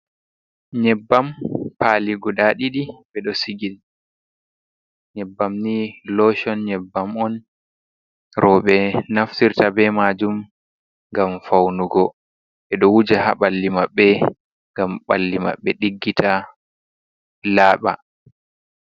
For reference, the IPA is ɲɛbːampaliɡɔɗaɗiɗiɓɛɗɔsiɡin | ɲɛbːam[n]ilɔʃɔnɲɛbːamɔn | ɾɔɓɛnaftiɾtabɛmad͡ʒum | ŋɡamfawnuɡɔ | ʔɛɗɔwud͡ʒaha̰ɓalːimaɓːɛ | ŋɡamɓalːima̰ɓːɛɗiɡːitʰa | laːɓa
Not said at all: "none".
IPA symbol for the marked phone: n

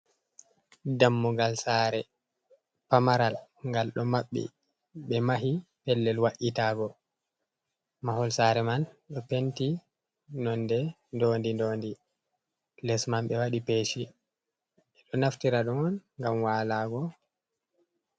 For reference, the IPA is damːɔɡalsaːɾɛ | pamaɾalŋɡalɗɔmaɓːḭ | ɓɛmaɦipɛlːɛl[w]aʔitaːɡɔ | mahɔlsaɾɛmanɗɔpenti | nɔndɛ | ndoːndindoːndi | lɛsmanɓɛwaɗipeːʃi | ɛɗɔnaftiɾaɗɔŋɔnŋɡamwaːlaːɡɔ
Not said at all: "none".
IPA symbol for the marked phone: w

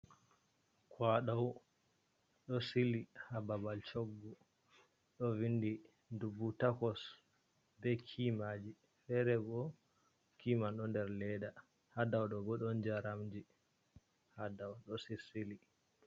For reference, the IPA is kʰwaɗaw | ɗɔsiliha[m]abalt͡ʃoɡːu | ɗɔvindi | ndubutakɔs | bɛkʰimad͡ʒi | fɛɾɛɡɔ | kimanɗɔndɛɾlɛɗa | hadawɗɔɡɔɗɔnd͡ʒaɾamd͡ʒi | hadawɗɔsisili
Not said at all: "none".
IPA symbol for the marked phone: b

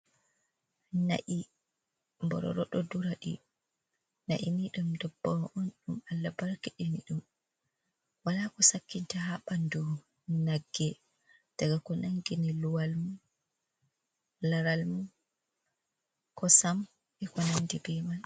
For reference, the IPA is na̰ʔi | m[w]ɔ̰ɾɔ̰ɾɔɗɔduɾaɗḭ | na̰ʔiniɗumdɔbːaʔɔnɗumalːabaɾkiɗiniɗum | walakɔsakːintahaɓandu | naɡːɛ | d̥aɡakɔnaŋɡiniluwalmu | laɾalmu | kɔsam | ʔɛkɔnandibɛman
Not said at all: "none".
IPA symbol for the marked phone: b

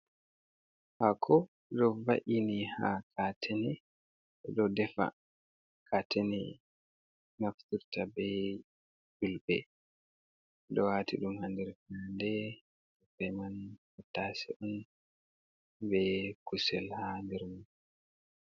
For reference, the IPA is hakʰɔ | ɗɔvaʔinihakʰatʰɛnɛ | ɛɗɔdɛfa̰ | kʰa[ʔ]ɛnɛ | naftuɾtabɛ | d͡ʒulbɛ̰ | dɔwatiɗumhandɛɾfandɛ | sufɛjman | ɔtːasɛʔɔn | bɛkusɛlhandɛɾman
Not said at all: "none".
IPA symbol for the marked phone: t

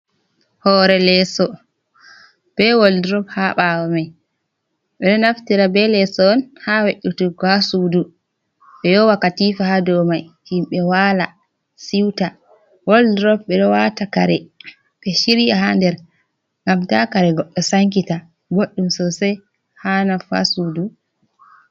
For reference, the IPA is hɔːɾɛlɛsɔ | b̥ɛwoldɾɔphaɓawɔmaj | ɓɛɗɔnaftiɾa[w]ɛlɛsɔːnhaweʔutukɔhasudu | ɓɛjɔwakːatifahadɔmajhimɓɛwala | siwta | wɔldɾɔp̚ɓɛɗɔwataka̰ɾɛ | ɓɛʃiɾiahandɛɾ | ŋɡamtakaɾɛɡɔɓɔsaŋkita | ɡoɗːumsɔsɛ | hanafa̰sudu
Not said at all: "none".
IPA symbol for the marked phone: b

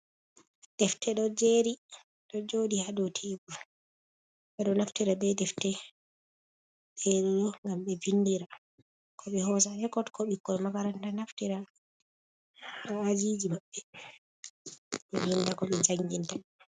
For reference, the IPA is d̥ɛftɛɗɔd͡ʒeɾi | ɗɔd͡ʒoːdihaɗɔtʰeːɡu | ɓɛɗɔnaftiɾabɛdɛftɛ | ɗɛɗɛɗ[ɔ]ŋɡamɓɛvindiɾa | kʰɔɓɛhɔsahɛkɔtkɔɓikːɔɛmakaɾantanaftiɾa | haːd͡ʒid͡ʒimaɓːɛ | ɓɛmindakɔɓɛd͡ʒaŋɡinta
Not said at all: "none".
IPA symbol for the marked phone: ɔ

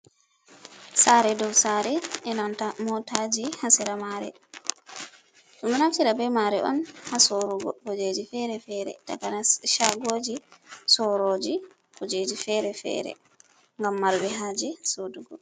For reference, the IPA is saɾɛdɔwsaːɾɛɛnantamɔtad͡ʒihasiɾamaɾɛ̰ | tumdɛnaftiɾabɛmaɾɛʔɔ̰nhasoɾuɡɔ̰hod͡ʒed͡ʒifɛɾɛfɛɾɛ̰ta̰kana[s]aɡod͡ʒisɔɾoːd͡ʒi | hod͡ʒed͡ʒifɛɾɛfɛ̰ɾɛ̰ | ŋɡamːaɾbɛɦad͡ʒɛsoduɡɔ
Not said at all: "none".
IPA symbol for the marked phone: ʃ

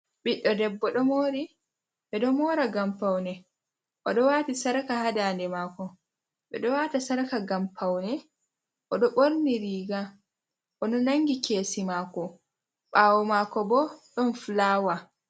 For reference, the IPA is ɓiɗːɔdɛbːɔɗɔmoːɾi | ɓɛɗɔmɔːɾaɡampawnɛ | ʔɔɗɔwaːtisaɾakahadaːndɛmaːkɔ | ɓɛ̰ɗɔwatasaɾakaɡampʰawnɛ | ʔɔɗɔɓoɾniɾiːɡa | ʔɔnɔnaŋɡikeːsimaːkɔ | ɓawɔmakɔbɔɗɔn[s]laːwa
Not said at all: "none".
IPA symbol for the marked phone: f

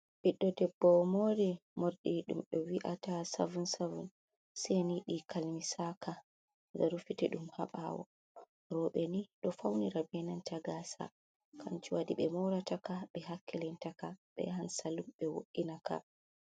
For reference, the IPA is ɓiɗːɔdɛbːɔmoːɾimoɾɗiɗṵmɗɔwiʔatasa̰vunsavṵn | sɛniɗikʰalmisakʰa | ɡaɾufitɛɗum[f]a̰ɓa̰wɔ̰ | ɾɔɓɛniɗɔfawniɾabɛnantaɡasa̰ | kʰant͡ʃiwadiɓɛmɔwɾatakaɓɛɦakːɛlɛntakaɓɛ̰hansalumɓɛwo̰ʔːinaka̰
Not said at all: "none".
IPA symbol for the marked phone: h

